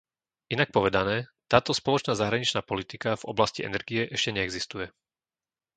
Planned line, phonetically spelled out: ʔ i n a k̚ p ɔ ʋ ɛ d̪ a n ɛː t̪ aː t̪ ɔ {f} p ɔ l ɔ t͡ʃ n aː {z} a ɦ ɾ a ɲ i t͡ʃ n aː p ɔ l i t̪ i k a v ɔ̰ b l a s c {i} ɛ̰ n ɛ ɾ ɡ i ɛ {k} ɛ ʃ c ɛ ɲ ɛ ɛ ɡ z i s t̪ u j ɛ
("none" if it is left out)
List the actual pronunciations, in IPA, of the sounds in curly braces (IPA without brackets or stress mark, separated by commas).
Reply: s, z, i, ʔ